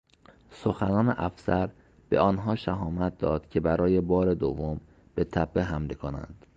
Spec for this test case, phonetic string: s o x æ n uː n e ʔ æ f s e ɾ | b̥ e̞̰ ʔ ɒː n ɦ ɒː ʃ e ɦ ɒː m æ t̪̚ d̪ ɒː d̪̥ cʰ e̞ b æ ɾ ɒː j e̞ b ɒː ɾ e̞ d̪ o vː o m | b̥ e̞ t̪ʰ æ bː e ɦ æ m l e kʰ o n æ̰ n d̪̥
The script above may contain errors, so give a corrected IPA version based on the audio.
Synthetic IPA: s o x æ n ɒː n e ʔ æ f s æ ɾ | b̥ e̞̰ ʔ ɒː n ɦ ɒː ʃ æ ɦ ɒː m æ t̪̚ d̪ ɒː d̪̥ cʰ e̞ b æ ɾ ɒː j e̞ b ɒː ɾ e̞ d̪ o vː o m | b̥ e̞ t̪ʰ æ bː e ɦ æ m l e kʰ o n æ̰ n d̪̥